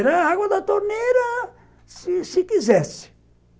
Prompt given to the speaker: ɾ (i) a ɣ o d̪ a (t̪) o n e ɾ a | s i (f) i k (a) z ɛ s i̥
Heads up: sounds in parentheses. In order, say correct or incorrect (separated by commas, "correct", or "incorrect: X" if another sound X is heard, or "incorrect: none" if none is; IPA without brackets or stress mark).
incorrect: a, correct, incorrect: s, incorrect: i